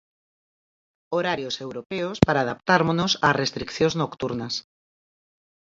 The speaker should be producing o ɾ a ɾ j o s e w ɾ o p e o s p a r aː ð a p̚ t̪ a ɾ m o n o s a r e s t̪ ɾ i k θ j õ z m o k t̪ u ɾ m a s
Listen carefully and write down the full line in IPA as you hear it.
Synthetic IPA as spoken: o ɾ a ɾ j o s e w ɾ o p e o s p a ɾ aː ð a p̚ t̪ a ɾ m o n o s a r e s t̪ ɾ i k θ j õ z n o k t̪ u ɾ n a s